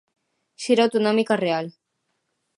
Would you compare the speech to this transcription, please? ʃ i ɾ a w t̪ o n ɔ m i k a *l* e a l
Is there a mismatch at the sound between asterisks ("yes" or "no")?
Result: yes